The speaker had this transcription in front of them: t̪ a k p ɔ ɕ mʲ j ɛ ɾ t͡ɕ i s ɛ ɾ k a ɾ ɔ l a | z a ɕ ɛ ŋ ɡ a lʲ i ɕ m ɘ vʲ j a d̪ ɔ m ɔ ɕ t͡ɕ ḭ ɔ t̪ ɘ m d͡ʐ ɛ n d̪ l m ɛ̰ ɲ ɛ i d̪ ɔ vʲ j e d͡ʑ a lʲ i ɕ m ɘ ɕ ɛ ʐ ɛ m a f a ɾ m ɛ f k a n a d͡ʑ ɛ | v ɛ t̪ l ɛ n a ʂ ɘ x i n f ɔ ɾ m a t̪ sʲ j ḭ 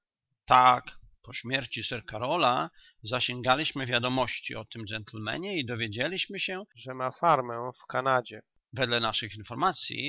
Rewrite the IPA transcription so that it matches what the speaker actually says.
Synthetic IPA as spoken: t̪ a k p ɔ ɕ mʲ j ɛ ɾ t͡ɕ i s ɛ ɾ k a ɾ ɔ l a | z a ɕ ɛ ŋ ɡ a lʲ i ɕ m ɘ vʲ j a d̪ ɔ m ɔ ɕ t͡ɕ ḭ ɔ t̪ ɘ m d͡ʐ ɛ n t̪ l m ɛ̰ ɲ ɛ i d̪ ɔ vʲ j e d͡ʑ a lʲ i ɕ m ɘ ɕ ɛ ʐ ɛ m a f a ɾ m ɛ f k a n a d͡ʑ ɛ | v ɛ d̪ l ɛ n a ʂ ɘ x i n f ɔ ɾ m a t̪ sʲ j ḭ

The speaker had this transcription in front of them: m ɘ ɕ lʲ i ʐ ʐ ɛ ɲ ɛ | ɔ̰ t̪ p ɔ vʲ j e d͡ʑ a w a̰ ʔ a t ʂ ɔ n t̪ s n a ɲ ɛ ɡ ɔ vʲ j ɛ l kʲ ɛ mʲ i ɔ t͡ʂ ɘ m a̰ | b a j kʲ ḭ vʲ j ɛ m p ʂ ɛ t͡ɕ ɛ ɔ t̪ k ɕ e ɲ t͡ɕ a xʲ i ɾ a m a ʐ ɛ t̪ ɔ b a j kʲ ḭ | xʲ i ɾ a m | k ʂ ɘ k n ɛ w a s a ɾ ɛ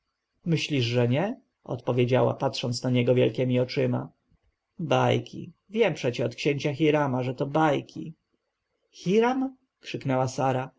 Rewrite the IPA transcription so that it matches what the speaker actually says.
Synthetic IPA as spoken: m ɘ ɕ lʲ i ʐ ʐ ɛ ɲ ɛ | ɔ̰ t̪ p ɔ vʲ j e d͡ʑ a w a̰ p a t ʂ ɔ n t̪ s n a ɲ ɛ ɡ ɔ vʲ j ɛ l kʲ ɛ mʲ i ɔ t͡ʂ ɘ m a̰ | b a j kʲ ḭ vʲ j ɛ m p ʂ ɛ t͡ɕ ɛ ɔ t̪ k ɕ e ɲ t͡ɕ a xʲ i ɾ a m a ʐ ɛ t̪ ɔ b a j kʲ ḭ | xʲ i ɾ a m | k ʂ ɘ k n ɛ w a s a ɾ a

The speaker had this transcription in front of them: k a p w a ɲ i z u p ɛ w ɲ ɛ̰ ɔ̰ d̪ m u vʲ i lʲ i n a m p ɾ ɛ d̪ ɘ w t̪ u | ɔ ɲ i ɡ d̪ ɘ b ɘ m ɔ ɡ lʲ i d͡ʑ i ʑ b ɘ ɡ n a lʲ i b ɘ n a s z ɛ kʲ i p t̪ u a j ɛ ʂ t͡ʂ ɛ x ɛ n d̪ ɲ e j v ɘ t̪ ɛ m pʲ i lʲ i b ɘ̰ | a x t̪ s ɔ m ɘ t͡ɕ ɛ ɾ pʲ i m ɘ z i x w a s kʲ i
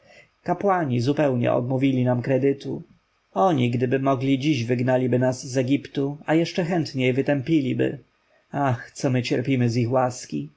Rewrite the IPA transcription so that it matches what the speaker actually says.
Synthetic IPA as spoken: k a p w a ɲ i z u p ɛ w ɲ ɛ̰ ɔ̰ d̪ m u vʲ i lʲ i n a m k ɾ ɛ d̪ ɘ t̪ u | ɔ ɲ i ɡ d̪ ɘ b ɘ m ɔ ɡ lʲ i d͡ʑ i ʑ v ɘ ɡ n a lʲ i b ɘ n a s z ɛ ɡʲ i p t̪ u a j ɛ ʂ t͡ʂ ɛ x ɛ n t̪ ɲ e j v ɘ t̪ ɛ m pʲ i lʲ i b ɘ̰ | a x t̪ s ɔ m ɘ t͡ɕ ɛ ɾ pʲ i m ɘ z i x w a s kʲ i

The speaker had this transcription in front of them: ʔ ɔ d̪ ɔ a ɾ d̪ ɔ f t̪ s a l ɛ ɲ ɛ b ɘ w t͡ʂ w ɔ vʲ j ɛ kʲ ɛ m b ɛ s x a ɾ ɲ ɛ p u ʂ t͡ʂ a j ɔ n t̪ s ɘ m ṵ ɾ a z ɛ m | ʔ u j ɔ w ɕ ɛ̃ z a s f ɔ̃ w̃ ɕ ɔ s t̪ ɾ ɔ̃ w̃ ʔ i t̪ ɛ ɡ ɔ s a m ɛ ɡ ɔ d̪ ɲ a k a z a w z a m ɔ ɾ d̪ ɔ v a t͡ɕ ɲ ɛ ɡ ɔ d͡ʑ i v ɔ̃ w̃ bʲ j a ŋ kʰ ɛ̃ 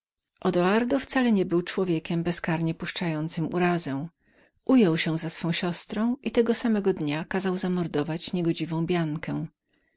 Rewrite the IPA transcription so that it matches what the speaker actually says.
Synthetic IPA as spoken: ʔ ɔ d̪ ɔ a ɾ d̪ ɔ f t̪ s a l ɛ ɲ ɛ b ɘ w t͡ʂ w ɔ vʲ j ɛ kʲ ɛ m b ɛ s k a ɾ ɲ ɛ p u ʂ t͡ʂ a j ɔ n t̪ s ɘ m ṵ ɾ a z ɛ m | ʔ u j ɔ w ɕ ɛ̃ z a s f ɔ̃ w̃ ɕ ɔ s t̪ ɾ ɔ̃ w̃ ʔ i t̪ ɛ ɡ ɔ s a m ɛ ɡ ɔ d̪ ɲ a k a z a w z a m ɔ ɾ d̪ ɔ v a t͡ɕ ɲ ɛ ɡ ɔ d͡ʑ i v ɔ̃ w̃ bʲ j a ŋ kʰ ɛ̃

